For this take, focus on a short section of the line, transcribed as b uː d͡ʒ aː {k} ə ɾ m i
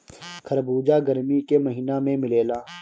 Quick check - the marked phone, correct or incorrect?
incorrect